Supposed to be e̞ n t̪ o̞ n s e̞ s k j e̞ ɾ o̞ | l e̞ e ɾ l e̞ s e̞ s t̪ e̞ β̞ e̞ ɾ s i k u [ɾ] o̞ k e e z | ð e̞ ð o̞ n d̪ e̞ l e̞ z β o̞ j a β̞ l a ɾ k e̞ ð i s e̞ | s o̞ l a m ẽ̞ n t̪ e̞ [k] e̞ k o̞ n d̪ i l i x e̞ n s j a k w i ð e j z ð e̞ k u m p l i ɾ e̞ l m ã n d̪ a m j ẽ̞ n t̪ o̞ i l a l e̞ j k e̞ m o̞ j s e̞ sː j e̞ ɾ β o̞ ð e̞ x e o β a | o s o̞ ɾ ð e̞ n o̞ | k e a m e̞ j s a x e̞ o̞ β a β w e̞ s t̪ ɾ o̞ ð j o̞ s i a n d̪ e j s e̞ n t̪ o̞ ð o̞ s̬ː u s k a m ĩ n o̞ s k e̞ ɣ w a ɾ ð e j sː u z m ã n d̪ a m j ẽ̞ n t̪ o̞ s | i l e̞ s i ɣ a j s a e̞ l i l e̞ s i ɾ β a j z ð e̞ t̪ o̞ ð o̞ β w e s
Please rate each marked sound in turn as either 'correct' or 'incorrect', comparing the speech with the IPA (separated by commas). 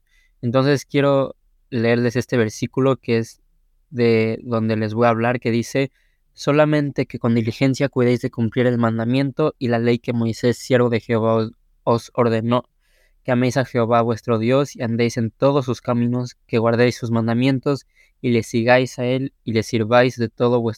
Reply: incorrect, correct